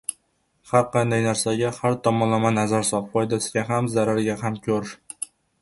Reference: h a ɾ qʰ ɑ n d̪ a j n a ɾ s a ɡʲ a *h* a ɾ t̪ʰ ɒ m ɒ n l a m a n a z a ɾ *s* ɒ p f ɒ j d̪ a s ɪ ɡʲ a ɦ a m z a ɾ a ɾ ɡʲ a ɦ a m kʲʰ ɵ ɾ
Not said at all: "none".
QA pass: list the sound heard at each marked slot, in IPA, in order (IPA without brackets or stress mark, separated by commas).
h, s